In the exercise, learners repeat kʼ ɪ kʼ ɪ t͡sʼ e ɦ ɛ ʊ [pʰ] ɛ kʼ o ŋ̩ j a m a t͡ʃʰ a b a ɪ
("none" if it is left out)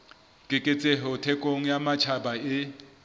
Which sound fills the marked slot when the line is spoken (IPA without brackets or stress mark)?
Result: tʰ